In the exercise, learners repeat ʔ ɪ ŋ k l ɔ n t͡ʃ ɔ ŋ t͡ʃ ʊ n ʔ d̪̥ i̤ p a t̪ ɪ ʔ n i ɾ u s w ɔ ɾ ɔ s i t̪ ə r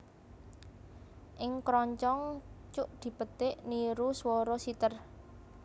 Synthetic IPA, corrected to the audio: ʔ ɪ ŋ k ɾ ɔ ɲ t͡ʃ ɔ ŋ t͡ʃ ʊ ʔ d̪̥ i̤ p ə t̪ ɪ ʔ n i ɾ u s w ɔ ɾ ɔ s i t̪ ə r